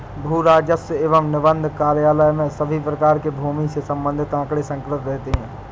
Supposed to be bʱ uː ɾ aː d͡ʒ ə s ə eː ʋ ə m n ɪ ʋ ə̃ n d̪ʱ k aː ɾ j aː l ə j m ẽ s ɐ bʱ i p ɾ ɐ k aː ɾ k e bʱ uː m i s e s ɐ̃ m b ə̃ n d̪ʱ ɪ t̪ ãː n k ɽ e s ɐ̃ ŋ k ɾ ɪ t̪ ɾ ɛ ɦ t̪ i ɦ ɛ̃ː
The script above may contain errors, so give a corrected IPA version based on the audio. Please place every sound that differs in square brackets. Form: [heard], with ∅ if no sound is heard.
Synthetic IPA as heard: bʱ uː ɾ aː d͡ʒ ə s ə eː ʋ ə m n ɪ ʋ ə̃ n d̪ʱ k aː ɾ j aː l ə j m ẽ s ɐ bʱ i p ɾ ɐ k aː ɾ k e bʱ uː m i s e s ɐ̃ m b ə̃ n d̪ʱ ɪ t̪ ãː [∅] k ɽ e s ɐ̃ ŋ k ɾ ɪ t̪ ɾ ɛ ɦ t̪ [e] ɦ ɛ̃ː